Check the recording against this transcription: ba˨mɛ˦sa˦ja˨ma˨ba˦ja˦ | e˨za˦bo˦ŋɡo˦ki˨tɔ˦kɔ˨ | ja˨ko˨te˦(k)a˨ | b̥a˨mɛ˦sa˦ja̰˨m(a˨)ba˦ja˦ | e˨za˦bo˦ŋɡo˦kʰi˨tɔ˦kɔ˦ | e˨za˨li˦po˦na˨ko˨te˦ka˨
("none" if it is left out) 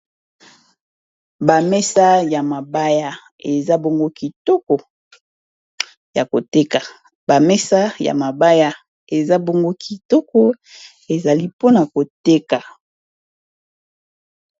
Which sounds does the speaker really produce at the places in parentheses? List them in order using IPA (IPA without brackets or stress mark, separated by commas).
k, a˨